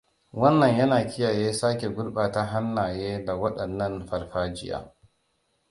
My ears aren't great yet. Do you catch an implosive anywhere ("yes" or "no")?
yes